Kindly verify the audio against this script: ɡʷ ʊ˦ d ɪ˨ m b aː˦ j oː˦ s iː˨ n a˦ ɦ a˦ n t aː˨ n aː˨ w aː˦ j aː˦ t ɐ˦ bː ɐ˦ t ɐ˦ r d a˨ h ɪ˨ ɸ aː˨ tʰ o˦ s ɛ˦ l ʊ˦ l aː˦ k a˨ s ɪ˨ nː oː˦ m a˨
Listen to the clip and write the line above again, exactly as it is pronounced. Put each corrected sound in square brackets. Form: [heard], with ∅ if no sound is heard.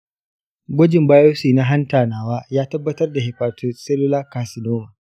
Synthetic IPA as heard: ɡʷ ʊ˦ [d͡ʒ] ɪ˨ m b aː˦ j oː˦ s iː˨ n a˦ ɦ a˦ n t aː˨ n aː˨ w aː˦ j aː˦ t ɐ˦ bː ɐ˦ t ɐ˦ r d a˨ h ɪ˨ ɸ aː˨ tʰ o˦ s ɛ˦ l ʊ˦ l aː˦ k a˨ s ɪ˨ [n] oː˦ m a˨